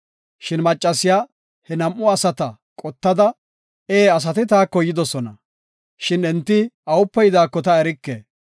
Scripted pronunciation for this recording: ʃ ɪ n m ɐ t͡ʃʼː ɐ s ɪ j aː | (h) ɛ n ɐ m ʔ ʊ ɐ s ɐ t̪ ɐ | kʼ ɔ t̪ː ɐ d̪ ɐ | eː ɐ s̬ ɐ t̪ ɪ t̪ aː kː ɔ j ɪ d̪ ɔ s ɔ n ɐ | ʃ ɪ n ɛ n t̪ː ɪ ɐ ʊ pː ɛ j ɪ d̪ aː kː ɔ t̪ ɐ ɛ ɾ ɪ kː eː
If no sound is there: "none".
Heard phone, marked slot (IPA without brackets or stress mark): h